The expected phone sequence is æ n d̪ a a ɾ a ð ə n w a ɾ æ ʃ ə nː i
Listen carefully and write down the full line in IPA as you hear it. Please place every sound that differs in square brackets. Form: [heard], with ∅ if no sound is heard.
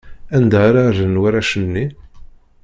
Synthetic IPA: æ n d̪ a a ɾ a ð ə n w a ɾ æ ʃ ə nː i

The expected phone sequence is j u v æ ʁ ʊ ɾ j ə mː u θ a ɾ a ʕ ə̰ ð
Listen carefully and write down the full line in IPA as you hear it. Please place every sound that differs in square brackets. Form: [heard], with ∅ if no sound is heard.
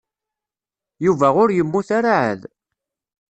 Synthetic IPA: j u v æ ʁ ʊ ɾ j ə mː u θ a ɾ a ʕ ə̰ ð

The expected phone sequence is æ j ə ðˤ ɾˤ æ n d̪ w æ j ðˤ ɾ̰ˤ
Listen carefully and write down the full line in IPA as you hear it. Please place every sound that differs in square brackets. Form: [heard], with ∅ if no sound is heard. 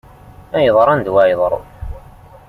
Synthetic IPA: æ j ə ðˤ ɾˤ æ n d̪ w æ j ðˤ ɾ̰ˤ

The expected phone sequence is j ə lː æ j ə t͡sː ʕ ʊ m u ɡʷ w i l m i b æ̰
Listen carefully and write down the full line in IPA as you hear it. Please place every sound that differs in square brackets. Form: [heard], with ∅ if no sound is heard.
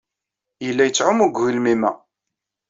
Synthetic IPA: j ə lː æ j ə t͡sː ʕ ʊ m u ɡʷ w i l m i [m] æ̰

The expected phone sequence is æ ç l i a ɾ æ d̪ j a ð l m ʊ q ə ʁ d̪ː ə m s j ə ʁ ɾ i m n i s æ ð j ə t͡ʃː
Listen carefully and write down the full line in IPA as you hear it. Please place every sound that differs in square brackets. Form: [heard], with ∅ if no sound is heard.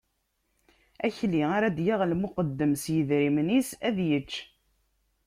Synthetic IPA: æ ç l i a ɾ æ d̪ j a [ʁ] l m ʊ q ə [∅] d̪ː ə m s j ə [ð] ɾ i m n i s æ ð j ə t͡ʃː

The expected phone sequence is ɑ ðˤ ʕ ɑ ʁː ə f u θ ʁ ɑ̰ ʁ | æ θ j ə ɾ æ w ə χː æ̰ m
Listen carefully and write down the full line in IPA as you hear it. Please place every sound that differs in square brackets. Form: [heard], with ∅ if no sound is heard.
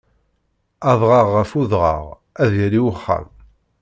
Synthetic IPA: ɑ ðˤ [ʁ] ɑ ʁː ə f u [ð] ʁ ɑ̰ ʁ | æ [ð] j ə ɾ [i] w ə χː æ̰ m

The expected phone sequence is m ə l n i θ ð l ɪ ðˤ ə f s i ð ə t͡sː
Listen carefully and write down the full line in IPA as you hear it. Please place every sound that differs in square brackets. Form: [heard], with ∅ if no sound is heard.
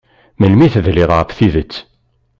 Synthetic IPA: m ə l [m] i θ ð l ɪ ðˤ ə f [θ] i ð ə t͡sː

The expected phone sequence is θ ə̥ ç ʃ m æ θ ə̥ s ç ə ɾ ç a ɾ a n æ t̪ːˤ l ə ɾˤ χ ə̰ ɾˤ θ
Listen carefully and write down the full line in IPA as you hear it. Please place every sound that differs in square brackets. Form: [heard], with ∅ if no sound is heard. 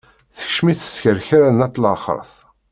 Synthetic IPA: θ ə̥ ç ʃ m [i] θ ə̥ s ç ə ɾ ç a ɾ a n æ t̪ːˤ l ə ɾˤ χ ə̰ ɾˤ θ

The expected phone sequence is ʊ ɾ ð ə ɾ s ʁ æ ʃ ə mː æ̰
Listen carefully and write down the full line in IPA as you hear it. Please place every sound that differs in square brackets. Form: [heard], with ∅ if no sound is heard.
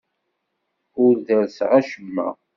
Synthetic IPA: ʊ ɾ ð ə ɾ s ʁ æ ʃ ə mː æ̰

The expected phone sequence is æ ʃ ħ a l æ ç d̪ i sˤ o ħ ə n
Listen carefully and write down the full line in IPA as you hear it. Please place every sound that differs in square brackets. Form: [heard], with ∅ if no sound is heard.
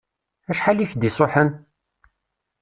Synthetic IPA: æ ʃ ħ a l [i] ç d̪ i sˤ o ħ ə n

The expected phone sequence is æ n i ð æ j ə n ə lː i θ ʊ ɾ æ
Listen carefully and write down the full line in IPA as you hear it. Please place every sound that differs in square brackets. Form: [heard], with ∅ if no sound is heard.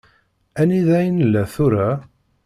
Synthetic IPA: æ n i ð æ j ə n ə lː [æ] θ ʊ ɾ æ

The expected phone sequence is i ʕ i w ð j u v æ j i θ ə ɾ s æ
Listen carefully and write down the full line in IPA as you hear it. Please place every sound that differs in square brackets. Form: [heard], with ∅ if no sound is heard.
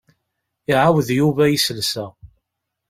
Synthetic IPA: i ʕ [a] w ð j u v æ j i [s] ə [l] s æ

